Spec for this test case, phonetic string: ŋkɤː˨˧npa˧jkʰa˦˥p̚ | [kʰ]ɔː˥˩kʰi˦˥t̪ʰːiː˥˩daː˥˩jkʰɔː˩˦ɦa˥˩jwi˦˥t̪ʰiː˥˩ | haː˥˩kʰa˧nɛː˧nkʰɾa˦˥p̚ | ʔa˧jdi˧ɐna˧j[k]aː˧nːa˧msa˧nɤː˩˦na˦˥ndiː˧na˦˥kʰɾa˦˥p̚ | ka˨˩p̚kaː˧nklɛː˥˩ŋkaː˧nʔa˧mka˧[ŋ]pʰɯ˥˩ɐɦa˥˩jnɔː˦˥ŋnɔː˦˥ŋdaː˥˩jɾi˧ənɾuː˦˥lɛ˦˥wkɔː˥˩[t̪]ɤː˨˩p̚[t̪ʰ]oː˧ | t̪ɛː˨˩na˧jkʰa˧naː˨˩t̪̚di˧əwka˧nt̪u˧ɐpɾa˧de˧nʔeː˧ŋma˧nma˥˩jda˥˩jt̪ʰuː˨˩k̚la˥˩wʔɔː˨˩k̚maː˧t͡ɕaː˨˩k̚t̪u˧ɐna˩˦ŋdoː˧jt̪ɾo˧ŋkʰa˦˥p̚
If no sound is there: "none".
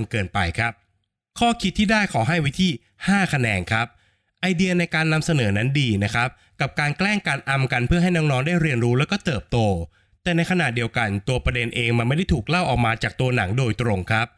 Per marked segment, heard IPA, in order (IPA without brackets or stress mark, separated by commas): kʰ, k, n, t̪, t̪